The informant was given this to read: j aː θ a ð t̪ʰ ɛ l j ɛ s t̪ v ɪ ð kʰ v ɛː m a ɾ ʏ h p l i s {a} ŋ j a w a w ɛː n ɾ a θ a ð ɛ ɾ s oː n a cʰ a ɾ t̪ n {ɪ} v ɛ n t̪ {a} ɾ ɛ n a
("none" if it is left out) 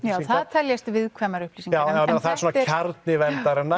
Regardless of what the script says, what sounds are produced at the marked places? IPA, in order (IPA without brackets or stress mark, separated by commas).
i, ɪ, a